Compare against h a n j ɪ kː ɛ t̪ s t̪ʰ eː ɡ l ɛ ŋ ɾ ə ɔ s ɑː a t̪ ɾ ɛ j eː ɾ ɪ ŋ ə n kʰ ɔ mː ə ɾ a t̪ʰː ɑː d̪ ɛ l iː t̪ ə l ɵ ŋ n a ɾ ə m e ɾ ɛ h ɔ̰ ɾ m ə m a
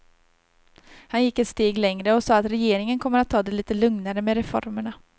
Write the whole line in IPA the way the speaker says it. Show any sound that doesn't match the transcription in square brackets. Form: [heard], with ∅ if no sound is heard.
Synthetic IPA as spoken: h a n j ɪ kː ɛ t̪ s [t̪] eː ɡ l ɛ ŋ ɾ ə ɔ s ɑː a t̪ ɾ ɛ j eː ɾ ɪ ŋ ə n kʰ ɔ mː ə ɾ a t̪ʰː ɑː d̪ ɛ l iː t̪ ə l ɵ ŋ n a ɾ ə m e ɾ ɛ [f] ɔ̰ ɾ m ə [ɳ] a